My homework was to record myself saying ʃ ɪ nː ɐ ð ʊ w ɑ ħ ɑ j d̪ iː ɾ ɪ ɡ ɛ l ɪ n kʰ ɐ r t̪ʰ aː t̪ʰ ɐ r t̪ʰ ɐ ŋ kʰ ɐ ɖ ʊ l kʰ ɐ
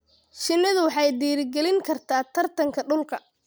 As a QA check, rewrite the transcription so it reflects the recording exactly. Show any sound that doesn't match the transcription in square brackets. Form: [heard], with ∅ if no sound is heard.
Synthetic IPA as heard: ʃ ɪ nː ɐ ð ʊ w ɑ ħ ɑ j d̪ iː ɾ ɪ ɡ ɛ l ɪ [ŋ] kʰ ɐ r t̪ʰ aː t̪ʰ ɐ r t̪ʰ ɐ ŋ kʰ ɐ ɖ ʊ l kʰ ɐ